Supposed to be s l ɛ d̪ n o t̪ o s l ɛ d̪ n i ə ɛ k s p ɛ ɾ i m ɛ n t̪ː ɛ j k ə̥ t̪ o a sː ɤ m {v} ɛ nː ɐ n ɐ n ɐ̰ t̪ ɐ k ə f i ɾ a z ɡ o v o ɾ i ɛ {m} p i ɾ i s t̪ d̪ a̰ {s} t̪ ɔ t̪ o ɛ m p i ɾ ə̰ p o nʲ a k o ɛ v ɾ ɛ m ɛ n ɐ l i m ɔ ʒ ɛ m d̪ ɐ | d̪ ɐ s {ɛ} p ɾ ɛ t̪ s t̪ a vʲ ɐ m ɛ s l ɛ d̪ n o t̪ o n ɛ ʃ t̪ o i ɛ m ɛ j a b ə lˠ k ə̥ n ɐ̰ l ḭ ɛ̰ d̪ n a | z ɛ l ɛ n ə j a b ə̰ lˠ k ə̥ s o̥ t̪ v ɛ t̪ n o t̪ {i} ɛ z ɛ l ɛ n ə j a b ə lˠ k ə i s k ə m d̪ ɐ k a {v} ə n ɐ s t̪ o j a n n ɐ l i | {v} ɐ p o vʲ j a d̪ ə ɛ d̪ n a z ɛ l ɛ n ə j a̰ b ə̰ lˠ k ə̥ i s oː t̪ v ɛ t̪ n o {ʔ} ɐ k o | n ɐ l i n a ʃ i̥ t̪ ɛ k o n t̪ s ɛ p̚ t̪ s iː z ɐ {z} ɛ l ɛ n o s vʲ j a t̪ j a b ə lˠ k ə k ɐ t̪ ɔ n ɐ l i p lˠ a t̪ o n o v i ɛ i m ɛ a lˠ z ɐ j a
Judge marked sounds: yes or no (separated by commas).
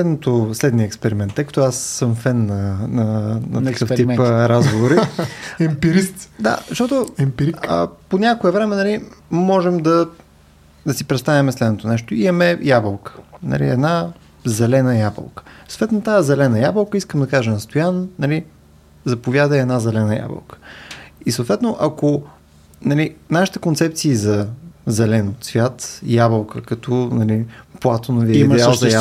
no, yes, no, no, no, no, no, yes, yes